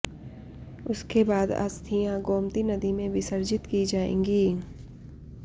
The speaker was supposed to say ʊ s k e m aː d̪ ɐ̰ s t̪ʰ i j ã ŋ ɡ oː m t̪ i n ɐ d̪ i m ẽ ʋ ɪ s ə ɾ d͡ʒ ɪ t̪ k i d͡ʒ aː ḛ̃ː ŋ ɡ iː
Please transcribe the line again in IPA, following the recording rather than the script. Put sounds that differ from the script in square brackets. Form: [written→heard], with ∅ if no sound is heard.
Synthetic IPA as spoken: ʊ s k e [m→b] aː d̪ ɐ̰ s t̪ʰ i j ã [ŋ→∅] ɡ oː m t̪ i n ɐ d̪ i m ẽ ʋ ɪ s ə ɾ d͡ʒ ɪ t̪ k i d͡ʒ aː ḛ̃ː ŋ ɡ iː